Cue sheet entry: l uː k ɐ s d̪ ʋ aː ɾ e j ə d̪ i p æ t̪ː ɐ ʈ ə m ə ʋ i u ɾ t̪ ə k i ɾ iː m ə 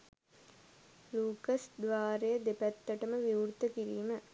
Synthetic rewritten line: l uː k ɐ s d̪ ʋ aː ɾ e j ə d̪ e p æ t̪ː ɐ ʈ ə m ə ʋ i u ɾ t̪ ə k i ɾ iː m ə

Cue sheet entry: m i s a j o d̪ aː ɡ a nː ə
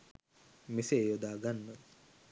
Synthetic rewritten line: m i s e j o d̪ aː ɡ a nː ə

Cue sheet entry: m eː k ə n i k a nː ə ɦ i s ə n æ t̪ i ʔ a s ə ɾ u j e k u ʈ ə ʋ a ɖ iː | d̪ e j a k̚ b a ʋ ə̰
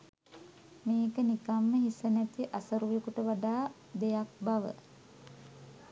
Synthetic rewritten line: m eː k ə n i k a mː ə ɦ i s ə n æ t̪ i ʔ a s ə ɾ u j e k u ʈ ə ʋ a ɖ aː | d̪ e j a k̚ b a ʋ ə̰

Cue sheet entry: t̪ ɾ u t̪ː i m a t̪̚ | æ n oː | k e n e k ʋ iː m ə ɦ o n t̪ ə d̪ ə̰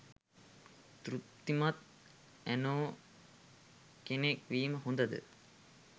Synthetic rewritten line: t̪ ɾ u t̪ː i m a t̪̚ | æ n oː | k e n e k ʋ iː m ə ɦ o n d̪ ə d̪ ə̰

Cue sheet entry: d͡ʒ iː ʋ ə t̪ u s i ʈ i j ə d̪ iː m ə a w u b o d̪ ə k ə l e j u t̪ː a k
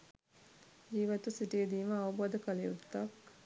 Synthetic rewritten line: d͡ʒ iː ʋ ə t̪ u s i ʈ i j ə d̪ iː m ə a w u b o d̪ ə k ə l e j u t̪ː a k

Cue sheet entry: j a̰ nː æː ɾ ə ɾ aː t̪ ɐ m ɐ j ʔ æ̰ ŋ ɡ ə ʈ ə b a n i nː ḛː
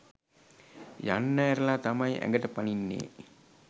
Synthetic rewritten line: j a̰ nː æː ɾ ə l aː t̪ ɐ m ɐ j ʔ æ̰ ŋ ɡ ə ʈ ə p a n i nː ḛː

